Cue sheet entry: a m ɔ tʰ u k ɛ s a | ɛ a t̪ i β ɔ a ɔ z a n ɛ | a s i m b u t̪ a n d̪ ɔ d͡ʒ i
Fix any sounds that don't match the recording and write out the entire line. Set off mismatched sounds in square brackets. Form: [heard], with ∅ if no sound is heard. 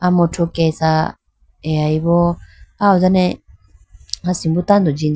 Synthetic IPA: a m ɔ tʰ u k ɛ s a | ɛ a [∅] i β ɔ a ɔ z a n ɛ | a s i m b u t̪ a n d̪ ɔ d͡ʒ i